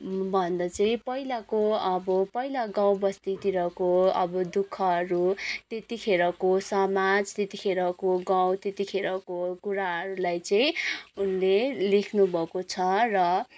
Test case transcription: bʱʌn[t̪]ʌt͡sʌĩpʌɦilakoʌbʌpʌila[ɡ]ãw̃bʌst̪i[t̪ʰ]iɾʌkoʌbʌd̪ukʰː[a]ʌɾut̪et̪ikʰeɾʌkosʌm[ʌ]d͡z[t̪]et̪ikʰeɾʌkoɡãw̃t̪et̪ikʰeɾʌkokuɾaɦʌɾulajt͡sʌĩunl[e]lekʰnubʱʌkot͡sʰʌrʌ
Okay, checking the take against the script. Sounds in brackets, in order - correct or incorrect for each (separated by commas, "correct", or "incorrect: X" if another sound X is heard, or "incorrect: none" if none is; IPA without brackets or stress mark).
incorrect: d̪, correct, incorrect: t̪, incorrect: ʌ, incorrect: a, correct, correct